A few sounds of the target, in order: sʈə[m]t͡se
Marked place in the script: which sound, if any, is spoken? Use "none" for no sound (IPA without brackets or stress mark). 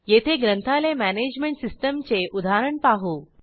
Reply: m